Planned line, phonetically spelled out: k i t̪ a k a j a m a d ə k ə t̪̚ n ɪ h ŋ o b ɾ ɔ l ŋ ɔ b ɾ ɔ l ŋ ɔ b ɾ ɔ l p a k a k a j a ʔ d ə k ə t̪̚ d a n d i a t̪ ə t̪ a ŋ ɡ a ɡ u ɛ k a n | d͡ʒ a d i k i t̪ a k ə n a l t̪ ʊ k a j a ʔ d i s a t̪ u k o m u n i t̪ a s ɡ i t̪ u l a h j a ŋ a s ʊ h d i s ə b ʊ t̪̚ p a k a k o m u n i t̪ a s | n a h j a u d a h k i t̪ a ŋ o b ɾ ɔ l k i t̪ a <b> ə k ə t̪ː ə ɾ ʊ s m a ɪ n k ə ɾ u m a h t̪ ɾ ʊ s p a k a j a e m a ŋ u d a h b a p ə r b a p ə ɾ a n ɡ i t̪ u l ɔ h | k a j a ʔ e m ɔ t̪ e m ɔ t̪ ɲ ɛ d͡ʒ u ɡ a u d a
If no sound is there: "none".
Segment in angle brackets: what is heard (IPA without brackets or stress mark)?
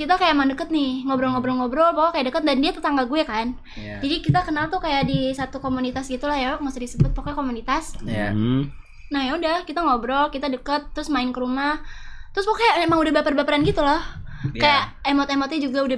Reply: d